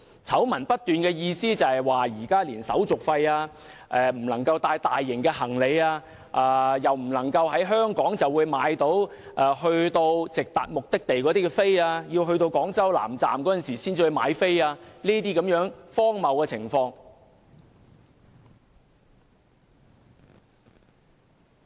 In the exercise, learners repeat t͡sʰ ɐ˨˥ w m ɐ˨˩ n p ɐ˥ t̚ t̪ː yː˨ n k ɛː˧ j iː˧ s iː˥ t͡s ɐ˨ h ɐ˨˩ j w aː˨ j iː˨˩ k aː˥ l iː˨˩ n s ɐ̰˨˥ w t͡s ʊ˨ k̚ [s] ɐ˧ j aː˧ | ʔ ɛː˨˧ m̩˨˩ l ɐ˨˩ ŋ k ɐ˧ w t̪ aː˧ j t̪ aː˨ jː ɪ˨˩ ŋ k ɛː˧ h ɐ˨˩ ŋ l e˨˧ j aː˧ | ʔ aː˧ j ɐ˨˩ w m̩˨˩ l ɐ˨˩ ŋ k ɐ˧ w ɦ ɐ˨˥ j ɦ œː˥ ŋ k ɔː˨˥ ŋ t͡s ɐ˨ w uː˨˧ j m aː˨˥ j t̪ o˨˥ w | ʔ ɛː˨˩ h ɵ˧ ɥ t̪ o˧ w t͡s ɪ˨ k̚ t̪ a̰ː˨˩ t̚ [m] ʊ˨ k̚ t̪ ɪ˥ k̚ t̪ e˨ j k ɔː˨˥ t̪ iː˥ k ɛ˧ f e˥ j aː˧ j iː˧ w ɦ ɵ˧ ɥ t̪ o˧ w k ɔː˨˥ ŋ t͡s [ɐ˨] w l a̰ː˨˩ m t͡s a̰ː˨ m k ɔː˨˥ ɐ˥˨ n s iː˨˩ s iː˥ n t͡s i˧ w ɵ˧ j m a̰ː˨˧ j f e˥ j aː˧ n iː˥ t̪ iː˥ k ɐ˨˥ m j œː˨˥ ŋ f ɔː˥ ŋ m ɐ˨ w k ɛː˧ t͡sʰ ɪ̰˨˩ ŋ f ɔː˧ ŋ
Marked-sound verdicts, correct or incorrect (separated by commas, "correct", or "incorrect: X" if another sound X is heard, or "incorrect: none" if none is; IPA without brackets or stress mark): incorrect: f, correct, incorrect: ɐ˥